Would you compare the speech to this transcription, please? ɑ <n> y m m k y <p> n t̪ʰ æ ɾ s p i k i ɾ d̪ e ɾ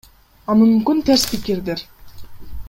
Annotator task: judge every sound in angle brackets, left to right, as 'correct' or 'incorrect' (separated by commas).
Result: incorrect, incorrect